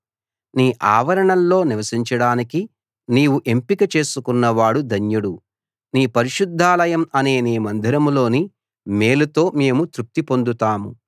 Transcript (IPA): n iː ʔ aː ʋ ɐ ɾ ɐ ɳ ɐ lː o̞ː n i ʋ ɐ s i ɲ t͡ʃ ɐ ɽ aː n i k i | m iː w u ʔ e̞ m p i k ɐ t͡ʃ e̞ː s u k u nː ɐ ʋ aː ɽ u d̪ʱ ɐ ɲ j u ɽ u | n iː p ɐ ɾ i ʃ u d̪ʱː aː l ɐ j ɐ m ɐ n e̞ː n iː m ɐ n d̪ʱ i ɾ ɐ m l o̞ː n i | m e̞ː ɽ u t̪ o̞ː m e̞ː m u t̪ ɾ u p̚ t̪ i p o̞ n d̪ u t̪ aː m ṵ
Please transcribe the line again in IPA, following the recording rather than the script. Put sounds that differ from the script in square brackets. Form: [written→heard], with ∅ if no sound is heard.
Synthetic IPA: n iː ʔ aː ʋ ɐ ɾ ɐ ɳ ɐ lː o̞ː n i ʋ ɐ s i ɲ t͡ʃ ɐ ɽ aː n i k i | [m→n] iː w u ʔ e̞ m p i k ɐ t͡ʃ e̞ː s u k u nː ɐ ʋ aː ɽ u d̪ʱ ɐ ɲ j u ɽ u | n iː p ɐ ɾ i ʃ u d̪ʱː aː l ɐ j ɐ m ɐ n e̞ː n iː m ɐ n d̪ʱ i ɾ ɐ m l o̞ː n i | m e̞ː [ɽ→l] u t̪ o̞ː m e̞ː m u t̪ ɾ u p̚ t̪ i p o̞ n d̪ u t̪ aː m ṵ

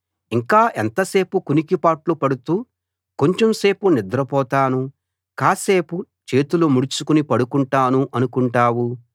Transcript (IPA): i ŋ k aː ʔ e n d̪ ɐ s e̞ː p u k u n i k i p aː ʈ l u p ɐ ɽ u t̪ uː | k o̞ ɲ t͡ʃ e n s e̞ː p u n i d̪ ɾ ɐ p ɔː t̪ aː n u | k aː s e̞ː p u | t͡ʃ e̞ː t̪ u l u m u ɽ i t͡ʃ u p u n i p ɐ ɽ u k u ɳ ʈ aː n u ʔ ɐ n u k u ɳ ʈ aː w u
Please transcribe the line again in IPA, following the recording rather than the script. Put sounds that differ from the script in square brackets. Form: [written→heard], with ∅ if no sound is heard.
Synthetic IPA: i ŋ k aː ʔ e n [d̪→t̪] ɐ s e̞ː p u k u n i k i p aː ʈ l u p ɐ ɽ u t̪ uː | k o̞ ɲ t͡ʃ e [n→m] s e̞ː p u n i d̪ ɾ ɐ p ɔː t̪ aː n u | k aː s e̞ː p u | t͡ʃ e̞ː t̪ u l u m u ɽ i t͡ʃ u [p→k] u n i p ɐ ɽ u k u ɳ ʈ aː n u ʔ ɐ n u k u ɳ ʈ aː w u

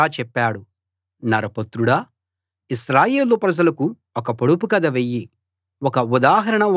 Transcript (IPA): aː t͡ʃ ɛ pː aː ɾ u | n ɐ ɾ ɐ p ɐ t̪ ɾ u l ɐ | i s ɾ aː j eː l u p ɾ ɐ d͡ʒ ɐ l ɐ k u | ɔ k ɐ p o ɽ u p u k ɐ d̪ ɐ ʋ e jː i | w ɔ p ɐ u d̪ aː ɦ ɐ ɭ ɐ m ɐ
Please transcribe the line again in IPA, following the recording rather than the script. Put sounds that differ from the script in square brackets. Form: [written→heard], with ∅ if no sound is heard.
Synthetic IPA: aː t͡ʃ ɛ pː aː [ɾ→ɽ] u | n ɐ ɾ ɐ p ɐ t̪ ɾ u [l→ɽ] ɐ | i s ɾ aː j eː l u p ɾ ɐ d͡ʒ ɐ l ɐ k u | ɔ k ɐ p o ɽ u p u k ɐ d̪ ɐ ʋ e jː i | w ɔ [p→k] ɐ u d̪ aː ɦ ɐ [ɭ→ɾ] ɐ [m→ɳ] ɐ

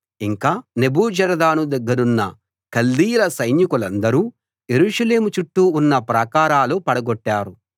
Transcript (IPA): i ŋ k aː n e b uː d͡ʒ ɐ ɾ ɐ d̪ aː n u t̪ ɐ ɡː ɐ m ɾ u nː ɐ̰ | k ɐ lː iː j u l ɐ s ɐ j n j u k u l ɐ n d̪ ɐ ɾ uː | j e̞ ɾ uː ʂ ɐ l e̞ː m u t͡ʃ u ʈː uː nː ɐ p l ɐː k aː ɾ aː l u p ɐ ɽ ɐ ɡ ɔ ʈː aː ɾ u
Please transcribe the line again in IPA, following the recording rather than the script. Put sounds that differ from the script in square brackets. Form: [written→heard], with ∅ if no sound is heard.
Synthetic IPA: i ŋ k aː n e b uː d͡ʒ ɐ ɾ ɐ d̪ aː n u [t̪→d̪] ɐ ɡː ɐ [m→∅] ɾ u nː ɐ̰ | k ɐ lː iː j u l ɐ s ɐ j n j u k u l ɐ n d̪ ɐ ɾ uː | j e̞ ɾ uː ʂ ɐ l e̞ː m u t͡ʃ u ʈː uː nː ɐ p [l→ɾ] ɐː k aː ɾ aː l u p ɐ ɽ ɐ ɡ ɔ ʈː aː ɾ u

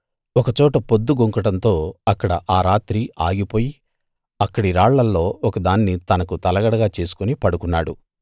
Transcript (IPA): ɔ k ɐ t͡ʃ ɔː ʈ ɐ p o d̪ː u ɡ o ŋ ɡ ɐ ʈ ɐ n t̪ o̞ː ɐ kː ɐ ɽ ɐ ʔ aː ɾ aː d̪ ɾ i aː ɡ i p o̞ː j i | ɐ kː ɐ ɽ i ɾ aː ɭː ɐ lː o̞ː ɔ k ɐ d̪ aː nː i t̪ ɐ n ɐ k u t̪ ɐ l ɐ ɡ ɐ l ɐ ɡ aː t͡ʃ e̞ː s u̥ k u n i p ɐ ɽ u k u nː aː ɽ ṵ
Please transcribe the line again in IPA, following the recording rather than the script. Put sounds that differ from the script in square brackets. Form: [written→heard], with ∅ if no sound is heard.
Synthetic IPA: ɔ k ɐ t͡ʃ ɔː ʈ ɐ p o d̪ː u ɡ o ŋ [ɡ→k] ɐ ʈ ɐ n t̪ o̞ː ɐ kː ɐ ɽ ɐ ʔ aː ɾ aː [d̪→t̪] ɾ i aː ɡ i p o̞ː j i | ɐ kː ɐ ɽ i ɾ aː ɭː ɐ lː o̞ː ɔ k ɐ d̪ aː nː i t̪ ɐ n ɐ k u t̪ ɐ l ɐ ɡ ɐ [l→ɽ] ɐ ɡ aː t͡ʃ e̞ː s u̥ k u n i p ɐ ɽ u k u nː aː ɽ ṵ

